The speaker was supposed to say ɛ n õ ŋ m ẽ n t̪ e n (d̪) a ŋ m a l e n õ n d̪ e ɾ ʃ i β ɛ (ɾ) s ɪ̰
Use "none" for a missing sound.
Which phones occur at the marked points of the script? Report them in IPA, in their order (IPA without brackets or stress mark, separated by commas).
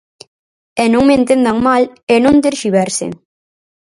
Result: d̪, ɾ